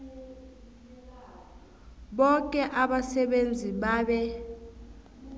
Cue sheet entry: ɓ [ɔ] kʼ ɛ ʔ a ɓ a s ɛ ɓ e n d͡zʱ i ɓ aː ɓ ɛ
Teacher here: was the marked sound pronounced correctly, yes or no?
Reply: yes